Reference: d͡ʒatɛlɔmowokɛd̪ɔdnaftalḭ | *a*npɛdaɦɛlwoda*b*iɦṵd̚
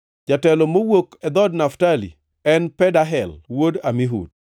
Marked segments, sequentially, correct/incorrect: incorrect: ɛ, incorrect: m

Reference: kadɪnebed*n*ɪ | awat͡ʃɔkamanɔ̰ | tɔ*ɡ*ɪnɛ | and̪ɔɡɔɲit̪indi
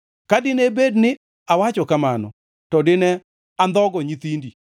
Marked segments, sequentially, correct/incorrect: correct, incorrect: d

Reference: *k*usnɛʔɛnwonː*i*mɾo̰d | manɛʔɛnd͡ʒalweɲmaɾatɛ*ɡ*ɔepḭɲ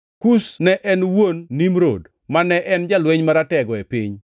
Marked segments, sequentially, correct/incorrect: correct, correct, correct

